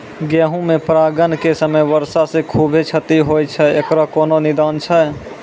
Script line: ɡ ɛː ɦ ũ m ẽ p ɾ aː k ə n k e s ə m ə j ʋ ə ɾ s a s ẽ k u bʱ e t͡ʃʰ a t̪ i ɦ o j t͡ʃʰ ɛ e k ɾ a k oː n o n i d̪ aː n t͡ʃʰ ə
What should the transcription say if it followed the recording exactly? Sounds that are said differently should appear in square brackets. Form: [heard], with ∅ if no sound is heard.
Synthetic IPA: ɡ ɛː ɦ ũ m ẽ p ɾ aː [ɡ] ə n k e s ə m ə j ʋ ə ɾ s a s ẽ [kʰ] u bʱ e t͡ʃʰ [ə] t̪ i ɦ o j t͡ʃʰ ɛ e k ɾ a k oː n o n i d̪ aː n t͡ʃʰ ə